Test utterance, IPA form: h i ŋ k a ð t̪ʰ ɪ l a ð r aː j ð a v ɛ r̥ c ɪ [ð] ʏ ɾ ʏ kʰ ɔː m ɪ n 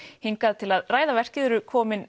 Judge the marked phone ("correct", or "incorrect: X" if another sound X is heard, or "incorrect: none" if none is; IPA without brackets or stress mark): correct